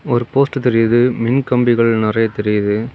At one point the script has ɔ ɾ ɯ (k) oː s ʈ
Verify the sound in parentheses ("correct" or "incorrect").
incorrect